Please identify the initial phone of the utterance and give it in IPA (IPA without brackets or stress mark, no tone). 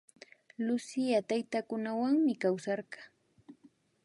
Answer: l